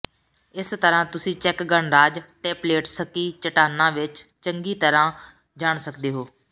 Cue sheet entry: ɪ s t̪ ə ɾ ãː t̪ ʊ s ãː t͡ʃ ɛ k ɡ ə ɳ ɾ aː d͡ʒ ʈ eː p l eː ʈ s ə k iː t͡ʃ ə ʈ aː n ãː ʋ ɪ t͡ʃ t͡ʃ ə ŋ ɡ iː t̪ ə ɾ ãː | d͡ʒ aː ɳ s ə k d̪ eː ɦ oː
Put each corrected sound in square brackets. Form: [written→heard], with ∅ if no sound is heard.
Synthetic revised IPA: ɪ s t̪ ə ɾ ãː t̪ ʊ s [ãː→ĩː] t͡ʃ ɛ k ɡ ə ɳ ɾ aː d͡ʒ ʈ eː p l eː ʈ s ə k iː t͡ʃ ə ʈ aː n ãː ʋ ɪ t͡ʃ t͡ʃ ə ŋ ɡ iː t̪ ə ɾ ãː | d͡ʒ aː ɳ s ə k d̪ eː ɦ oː